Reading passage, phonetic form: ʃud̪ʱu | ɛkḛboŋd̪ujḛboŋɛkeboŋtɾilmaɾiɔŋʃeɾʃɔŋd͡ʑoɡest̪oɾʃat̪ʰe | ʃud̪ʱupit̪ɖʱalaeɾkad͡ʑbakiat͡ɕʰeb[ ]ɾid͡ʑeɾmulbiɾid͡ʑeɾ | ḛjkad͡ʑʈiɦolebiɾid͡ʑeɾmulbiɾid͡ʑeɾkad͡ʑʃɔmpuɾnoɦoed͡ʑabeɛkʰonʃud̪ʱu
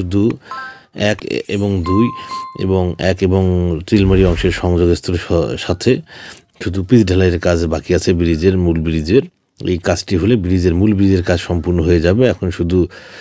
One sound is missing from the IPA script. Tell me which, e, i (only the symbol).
i